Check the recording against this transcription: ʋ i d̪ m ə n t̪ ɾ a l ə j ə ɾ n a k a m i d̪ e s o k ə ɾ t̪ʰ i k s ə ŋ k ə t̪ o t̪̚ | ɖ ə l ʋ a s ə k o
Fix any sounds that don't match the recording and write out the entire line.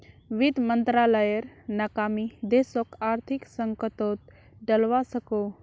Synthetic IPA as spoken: ʋ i d̪ m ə n t̪ ɾ a l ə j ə ɾ n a k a m i d̪ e s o k a ɾ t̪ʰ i k s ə ŋ k ə t̪ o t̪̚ | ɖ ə l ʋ a s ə k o